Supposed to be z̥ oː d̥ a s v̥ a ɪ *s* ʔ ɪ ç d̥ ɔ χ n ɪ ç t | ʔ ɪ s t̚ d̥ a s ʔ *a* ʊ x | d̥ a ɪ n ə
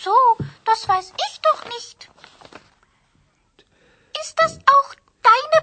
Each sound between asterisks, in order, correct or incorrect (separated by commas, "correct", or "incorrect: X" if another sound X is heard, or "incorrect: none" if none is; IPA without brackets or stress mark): correct, correct